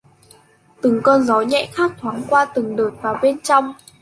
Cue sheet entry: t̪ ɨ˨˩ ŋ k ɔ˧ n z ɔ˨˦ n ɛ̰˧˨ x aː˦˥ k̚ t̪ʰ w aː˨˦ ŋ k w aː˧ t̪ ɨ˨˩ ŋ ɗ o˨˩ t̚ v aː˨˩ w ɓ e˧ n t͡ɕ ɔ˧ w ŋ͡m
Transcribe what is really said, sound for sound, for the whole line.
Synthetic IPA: t̪ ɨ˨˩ ŋ k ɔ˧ n z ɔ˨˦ ɲ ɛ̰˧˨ x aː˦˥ k̚ t̪ʰ w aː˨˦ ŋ k w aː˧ t̪ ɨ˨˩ ŋ ɗ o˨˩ t̚ v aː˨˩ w ɓ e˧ n t͡ɕ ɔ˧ w ŋ͡m